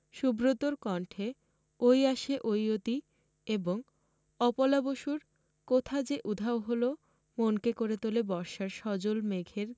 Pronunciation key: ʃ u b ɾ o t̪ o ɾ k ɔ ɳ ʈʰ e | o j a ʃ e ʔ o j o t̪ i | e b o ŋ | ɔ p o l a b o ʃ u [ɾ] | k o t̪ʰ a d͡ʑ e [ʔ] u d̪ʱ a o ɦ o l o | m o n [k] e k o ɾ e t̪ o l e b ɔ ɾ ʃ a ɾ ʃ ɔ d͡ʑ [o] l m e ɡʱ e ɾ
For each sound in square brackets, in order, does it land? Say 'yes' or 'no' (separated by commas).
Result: yes, yes, yes, yes